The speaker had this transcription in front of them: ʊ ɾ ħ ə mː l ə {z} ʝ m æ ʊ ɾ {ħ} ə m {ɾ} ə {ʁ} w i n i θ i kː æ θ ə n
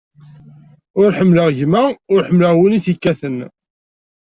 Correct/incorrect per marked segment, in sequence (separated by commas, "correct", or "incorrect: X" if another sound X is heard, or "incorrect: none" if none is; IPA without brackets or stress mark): incorrect: ʁ, correct, incorrect: l, correct